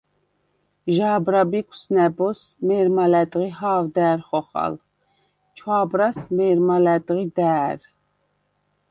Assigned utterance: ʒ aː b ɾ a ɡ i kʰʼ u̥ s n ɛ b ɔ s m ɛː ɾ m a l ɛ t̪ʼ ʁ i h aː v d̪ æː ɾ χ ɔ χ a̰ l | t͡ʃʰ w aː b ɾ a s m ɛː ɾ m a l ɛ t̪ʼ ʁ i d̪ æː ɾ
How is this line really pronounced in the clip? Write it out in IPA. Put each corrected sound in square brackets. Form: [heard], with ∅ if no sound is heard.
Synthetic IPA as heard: ʒ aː b ɾ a [b] i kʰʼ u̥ s n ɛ b ɔ s m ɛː ɾ m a l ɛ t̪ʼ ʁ i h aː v d̪ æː ɾ χ ɔ χ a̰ l | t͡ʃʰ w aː b ɾ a s m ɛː ɾ m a l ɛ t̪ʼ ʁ i d̪ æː ɾ